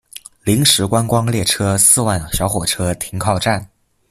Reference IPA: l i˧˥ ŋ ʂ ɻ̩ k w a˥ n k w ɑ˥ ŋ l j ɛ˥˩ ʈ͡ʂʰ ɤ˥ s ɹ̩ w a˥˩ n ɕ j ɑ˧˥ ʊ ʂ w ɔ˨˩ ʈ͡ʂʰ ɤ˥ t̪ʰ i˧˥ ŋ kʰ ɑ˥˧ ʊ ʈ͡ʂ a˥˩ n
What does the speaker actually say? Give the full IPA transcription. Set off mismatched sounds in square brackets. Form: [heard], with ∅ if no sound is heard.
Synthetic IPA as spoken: l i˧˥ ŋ ʂ ɻ̩ k w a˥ n k w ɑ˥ ŋ l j ɛ˥˩ ʈ͡ʂʰ ɤ˥ s ɹ̩ w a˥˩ n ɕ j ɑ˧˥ ʊ [x] w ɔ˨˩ ʈ͡ʂʰ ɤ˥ t̪ʰ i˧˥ ŋ kʰ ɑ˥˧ ʊ ʈ͡ʂ a˥˩ n